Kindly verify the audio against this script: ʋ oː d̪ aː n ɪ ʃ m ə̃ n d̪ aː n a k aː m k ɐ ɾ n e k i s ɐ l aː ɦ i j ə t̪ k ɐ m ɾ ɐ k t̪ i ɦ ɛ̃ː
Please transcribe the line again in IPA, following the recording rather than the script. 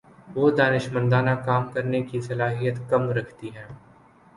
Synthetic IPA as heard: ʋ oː d̪ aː n ɪ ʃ m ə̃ n d̪ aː n a k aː m k ɐ ɾ n e k i s ɐ l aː ɦ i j ə t̪ k ɐ m ɾ ɐ kʰ t̪ i ɦ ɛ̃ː